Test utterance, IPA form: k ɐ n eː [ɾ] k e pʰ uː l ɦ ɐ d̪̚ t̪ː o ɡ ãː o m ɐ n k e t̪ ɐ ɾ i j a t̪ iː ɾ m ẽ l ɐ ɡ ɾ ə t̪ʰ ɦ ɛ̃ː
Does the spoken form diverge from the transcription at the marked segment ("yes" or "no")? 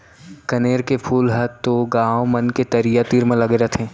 no